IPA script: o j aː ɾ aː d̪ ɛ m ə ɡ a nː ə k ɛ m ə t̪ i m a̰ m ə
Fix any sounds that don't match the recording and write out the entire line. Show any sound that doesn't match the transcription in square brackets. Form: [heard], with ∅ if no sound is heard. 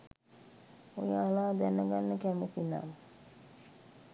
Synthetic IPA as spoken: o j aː [l] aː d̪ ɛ [n] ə ɡ a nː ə k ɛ m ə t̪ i [n] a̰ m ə